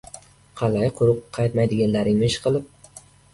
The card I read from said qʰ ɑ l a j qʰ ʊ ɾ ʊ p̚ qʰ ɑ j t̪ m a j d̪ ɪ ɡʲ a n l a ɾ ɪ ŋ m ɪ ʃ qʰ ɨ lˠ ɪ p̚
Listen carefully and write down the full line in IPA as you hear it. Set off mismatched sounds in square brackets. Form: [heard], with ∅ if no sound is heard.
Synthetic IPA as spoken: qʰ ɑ l a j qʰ ʊ ɾ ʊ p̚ qʰ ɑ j t̪ m a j d̪ ɪ ɡʲ a n l a ɾ ɪ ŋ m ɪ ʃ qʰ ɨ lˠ ɪ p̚

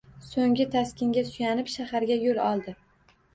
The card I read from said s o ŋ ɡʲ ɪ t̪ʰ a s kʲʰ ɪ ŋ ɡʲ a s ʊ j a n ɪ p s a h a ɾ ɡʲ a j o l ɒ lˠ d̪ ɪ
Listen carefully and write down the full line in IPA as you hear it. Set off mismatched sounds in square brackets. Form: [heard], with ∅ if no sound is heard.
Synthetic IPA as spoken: s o ŋ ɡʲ ɪ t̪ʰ a s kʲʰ ɪ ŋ ɡʲ a s ʊ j a n ɪ p [ʃ] a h a ɾ ɡʲ a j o l ɒ lˠ d̪ ɪ

